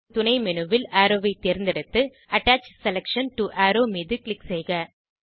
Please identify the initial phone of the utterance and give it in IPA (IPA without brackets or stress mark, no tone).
t̪